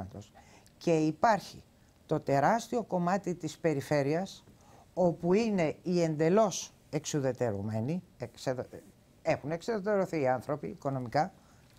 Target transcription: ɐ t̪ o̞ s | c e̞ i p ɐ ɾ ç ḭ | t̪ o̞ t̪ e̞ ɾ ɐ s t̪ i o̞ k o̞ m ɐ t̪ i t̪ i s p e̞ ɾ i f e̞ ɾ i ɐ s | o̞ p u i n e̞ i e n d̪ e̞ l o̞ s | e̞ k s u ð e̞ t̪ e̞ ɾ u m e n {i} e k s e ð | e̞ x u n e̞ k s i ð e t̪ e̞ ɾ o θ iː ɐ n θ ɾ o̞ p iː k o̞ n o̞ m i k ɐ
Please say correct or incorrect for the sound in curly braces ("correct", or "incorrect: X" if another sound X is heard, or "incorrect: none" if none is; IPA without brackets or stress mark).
correct